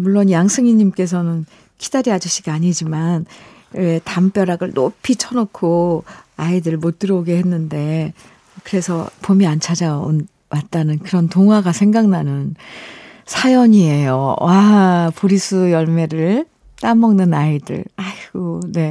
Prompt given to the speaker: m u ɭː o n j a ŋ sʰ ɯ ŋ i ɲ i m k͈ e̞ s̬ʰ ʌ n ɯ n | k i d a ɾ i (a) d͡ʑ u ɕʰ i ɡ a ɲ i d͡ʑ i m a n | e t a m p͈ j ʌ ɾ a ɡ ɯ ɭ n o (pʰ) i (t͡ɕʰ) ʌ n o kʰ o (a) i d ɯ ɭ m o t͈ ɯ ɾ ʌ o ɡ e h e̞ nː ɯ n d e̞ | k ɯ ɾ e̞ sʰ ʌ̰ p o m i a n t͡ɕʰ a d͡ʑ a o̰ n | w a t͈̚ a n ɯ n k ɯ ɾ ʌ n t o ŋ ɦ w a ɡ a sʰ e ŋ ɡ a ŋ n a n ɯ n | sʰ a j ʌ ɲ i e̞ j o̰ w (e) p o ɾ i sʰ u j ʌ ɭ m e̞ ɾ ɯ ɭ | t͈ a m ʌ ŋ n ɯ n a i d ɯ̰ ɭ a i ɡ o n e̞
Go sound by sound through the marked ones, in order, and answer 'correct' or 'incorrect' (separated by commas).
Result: correct, correct, correct, correct, incorrect